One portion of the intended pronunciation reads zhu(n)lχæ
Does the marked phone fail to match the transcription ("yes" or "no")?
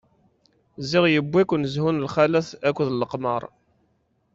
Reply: no